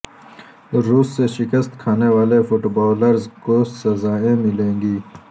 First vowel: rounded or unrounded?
rounded